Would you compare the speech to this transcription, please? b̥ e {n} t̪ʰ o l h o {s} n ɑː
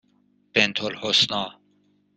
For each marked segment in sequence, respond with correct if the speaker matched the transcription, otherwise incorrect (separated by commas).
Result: correct, correct